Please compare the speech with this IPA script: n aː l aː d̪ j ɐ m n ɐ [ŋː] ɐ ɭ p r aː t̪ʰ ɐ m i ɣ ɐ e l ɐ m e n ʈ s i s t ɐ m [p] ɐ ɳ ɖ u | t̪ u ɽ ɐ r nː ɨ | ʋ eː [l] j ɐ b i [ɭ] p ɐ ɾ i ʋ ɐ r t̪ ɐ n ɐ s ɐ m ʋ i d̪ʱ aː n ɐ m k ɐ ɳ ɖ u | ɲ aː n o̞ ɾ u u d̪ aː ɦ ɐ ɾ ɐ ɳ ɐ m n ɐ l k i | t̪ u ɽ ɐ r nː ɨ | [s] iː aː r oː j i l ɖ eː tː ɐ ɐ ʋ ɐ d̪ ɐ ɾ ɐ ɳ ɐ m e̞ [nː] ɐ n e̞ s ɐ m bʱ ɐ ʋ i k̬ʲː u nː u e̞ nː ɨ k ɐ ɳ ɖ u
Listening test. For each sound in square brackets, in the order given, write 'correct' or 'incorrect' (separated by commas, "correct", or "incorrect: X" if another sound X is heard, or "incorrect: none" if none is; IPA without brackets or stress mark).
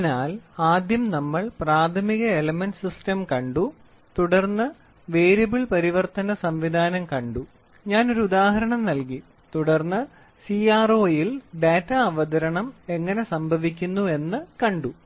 incorrect: mː, incorrect: k, incorrect: ɾ, correct, correct, incorrect: ŋː